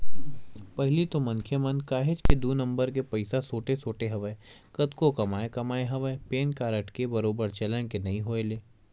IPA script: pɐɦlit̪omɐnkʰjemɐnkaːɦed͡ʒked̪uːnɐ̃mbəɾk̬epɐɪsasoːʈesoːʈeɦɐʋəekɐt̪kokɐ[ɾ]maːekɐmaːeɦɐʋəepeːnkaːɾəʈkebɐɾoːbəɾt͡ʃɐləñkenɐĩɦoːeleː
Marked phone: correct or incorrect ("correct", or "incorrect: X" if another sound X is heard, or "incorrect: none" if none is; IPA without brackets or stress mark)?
incorrect: none